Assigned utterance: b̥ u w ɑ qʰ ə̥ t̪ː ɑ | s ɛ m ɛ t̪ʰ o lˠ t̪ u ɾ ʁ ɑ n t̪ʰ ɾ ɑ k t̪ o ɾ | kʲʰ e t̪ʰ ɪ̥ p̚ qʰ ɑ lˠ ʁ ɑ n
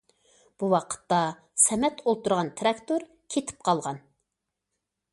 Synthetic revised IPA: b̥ u w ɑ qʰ ə̥ t̪ː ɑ | s ɛ m ɛ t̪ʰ o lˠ t̪ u ɾ ʁ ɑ n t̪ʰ ɾ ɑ k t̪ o ɾ | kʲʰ e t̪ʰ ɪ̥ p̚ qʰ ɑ lˠ ʁ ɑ n